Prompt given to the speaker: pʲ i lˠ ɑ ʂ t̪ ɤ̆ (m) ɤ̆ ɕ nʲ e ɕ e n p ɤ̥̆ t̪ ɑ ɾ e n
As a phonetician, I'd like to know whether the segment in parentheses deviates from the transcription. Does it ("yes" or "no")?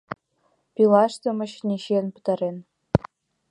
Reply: no